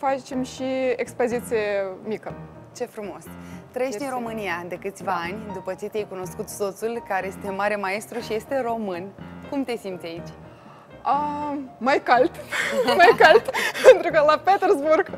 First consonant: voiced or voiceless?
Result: voiceless